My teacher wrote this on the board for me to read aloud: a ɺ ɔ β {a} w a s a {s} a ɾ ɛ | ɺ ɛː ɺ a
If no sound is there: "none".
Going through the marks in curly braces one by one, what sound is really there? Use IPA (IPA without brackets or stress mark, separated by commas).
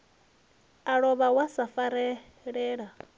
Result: a, f